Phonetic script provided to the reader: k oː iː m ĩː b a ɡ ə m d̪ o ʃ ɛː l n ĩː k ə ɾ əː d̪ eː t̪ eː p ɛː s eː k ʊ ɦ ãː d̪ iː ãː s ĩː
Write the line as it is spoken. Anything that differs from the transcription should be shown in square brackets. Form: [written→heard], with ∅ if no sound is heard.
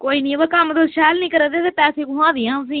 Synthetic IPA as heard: k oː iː [m→n] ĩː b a [ɡ→k] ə m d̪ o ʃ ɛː l n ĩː k ə ɾ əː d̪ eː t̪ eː p ɛː s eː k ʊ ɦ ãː d̪ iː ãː s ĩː